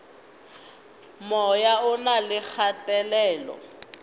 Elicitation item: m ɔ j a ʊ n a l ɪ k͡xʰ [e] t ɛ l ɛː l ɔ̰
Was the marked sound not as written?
yes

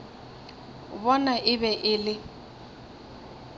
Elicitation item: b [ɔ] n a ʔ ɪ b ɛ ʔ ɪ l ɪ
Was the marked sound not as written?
no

